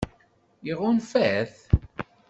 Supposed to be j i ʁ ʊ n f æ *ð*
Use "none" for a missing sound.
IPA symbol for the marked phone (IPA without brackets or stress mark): θ